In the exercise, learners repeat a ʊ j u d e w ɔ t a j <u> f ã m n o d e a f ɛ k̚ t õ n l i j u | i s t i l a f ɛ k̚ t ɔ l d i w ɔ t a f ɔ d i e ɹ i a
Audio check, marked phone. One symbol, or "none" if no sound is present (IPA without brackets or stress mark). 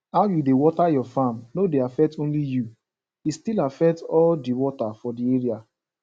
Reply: ɔ